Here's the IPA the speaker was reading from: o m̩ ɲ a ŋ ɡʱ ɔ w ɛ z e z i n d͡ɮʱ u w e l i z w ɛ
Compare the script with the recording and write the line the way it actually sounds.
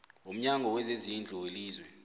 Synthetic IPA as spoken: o m̩ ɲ a ŋ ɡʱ ɔ w ɛ z e z i n d͡ɮʱ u w e l iː z w ɛ